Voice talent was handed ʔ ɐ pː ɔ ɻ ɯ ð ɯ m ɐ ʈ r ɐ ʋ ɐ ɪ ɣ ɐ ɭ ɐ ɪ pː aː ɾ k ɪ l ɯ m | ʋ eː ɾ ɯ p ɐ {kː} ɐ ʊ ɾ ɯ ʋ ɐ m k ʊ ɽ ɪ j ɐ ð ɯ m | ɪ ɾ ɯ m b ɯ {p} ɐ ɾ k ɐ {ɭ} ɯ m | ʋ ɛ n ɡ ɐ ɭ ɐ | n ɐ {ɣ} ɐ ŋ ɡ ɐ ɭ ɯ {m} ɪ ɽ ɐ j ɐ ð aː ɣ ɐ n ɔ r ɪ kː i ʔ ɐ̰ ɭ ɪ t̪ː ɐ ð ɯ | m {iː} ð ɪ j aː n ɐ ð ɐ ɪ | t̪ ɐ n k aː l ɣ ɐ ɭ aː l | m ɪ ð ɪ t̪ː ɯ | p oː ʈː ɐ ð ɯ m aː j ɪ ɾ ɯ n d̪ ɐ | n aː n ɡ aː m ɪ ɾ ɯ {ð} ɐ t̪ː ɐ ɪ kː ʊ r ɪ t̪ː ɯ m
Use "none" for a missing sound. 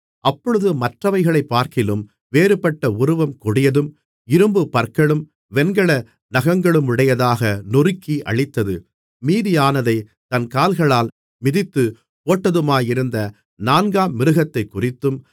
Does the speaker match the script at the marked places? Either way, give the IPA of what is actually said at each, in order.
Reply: ʈː, p, ɭ, ɣ, m, iː, ɣ

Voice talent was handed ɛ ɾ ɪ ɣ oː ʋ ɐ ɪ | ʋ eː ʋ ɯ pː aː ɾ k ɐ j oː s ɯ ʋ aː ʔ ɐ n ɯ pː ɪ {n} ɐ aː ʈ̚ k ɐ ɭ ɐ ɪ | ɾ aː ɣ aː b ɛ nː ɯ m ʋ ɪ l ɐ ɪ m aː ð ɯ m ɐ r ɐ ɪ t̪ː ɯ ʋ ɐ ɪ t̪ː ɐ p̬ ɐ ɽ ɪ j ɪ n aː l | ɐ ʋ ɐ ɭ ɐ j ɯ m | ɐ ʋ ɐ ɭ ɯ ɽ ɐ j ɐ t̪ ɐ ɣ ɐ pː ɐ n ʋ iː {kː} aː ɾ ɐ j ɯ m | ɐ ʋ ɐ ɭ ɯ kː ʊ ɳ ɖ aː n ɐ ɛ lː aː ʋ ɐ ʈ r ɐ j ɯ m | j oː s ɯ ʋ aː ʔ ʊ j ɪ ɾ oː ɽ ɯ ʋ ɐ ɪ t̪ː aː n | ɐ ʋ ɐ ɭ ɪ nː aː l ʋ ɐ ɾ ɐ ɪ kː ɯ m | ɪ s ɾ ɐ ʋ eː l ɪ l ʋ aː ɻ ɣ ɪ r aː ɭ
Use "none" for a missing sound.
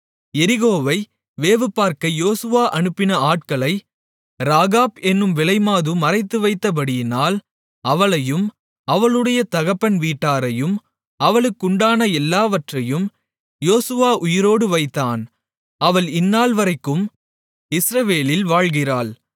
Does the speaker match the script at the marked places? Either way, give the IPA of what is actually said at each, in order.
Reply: n, ʈː

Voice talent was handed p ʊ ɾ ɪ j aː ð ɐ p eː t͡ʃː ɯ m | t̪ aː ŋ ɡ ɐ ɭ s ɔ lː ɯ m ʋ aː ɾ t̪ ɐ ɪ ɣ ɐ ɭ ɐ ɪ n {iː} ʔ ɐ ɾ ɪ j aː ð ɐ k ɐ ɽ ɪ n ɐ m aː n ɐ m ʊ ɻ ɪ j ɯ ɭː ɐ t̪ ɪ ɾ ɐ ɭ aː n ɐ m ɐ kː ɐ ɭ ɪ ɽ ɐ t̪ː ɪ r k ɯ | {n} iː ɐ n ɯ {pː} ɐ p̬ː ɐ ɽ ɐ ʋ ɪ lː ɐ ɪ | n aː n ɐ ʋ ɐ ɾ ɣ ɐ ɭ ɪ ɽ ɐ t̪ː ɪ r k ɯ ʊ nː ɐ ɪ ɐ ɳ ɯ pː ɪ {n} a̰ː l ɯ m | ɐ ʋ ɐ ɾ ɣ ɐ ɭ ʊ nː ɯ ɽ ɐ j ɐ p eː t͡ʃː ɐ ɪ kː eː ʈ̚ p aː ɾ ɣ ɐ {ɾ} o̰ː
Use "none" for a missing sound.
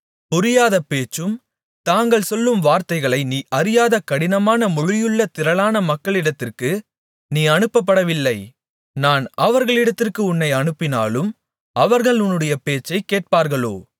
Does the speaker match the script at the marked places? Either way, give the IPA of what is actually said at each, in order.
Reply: iː, n, pː, n, ɭ

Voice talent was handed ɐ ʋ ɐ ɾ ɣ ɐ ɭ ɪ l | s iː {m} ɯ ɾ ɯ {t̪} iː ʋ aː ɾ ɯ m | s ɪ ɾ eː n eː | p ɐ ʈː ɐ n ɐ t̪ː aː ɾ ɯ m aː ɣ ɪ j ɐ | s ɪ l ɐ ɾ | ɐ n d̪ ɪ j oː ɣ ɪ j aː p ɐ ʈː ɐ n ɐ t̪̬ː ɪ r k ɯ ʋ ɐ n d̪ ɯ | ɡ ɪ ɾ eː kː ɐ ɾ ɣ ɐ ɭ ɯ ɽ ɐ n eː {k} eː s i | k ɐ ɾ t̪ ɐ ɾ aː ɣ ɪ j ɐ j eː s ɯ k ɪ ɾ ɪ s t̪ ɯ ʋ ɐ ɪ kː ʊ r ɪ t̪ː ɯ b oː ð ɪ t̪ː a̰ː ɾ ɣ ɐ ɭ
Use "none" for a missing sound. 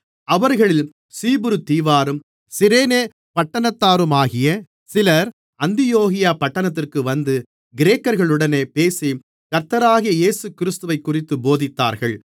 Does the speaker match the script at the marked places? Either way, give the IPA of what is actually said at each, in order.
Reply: b, t̪, p

